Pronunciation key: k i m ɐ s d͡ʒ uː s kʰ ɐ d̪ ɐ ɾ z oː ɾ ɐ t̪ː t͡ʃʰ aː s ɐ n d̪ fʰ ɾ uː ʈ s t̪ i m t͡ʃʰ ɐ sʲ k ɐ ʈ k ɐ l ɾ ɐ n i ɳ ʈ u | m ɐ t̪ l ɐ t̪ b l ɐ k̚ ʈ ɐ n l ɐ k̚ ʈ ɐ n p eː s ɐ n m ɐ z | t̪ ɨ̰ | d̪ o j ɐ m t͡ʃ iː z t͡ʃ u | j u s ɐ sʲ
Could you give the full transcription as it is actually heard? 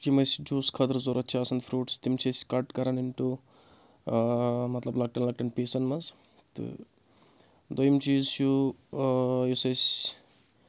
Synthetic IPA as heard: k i m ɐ s d͡ʒ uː s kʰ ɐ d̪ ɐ ɾ z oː ɾ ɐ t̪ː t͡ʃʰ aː s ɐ n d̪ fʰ ɾ uː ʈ s t̪ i m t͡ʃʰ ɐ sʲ k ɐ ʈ k ɐ ɾ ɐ n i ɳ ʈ u | m ɐ t̪ l ɐ b l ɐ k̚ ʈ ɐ n l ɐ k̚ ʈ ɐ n p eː s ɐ n m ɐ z | t̪ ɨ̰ | d̪ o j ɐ m t͡ʃ iː z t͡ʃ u | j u s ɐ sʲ

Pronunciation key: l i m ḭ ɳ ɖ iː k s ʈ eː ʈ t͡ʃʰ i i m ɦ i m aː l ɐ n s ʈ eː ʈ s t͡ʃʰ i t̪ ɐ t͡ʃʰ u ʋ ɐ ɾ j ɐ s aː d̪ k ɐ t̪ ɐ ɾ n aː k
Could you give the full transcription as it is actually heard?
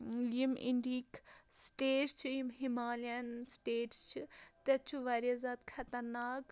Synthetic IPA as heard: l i m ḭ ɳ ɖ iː k s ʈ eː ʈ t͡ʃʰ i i m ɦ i m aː l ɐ n s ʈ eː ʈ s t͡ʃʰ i t̪ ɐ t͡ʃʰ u ʋ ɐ ɾ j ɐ z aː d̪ kʰ ɐ t̪ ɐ ɾ n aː k

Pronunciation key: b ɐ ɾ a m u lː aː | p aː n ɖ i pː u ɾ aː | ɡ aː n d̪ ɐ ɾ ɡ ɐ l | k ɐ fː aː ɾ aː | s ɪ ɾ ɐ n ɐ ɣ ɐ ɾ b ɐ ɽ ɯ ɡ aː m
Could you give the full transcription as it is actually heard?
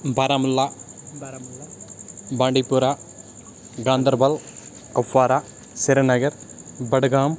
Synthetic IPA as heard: b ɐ ɾ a m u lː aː | b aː ɳ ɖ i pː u ɾ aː | ɡ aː n d̪ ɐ ɾ b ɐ l | k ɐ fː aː ɾ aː | s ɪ ɾ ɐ n ɐ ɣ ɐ ɾ b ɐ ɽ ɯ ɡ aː m

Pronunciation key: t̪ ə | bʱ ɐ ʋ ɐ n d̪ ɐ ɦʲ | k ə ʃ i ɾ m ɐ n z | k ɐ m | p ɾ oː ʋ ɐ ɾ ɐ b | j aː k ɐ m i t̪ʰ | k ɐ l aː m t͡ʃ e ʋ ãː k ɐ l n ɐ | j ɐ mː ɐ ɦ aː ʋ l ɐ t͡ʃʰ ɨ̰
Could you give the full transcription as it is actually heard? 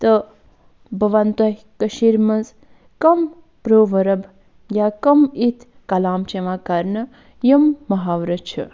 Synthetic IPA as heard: t̪ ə | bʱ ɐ ʋ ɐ n t̪ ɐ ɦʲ | k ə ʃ i ɾ m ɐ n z | k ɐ m | p ɾ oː ʋ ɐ ɾ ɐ b | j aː k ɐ m i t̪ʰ | k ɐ l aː m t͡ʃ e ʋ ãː k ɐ ɾ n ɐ | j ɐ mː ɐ ɦ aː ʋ ɾ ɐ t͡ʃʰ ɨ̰

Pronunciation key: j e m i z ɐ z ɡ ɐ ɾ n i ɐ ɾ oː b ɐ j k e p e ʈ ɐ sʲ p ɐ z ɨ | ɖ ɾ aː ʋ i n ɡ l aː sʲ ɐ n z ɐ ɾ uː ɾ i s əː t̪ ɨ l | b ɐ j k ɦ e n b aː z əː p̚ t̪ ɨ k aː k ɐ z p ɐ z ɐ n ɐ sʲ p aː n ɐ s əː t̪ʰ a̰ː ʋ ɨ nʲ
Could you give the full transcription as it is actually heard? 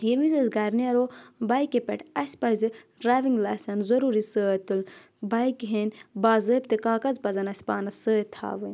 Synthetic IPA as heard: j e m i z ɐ z ɡ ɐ ɾ n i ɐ ɾ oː b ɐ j k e p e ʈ ɐ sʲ p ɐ z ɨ | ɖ ɾ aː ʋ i ŋ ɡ l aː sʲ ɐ n z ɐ ɾ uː ɾ i s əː t̪ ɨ l | b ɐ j k ɦ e n b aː z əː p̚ t̪ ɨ k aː k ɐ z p ɐ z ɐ n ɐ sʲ p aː n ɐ s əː t̪ʰ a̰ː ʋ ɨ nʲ

